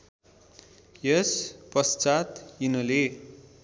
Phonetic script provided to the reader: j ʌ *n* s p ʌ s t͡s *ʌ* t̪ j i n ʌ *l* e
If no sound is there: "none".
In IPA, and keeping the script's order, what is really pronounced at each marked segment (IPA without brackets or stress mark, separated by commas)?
none, a, l